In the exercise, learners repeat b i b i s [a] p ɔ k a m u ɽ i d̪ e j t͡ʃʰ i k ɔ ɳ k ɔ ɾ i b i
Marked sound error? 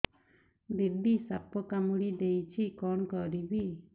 no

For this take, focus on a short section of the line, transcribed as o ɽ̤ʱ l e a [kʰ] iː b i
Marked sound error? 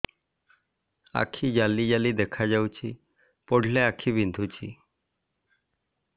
no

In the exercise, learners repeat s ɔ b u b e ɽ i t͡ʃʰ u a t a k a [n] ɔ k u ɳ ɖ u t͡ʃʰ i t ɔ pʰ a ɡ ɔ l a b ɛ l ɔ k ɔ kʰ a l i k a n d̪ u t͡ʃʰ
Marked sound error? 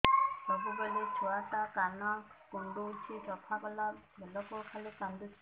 no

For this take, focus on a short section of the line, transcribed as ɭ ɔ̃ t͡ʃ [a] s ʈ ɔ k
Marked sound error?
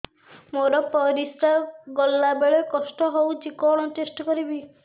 yes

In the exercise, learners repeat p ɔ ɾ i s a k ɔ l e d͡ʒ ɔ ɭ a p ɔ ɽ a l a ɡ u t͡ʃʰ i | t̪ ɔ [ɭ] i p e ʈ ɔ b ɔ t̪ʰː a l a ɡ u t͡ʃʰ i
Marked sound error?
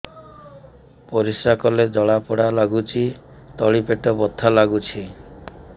no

